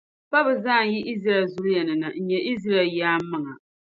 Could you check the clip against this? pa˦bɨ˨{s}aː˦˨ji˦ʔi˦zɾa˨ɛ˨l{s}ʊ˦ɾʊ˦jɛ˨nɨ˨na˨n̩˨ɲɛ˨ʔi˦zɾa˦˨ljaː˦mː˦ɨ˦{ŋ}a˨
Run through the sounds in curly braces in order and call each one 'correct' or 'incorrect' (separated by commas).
incorrect, incorrect, correct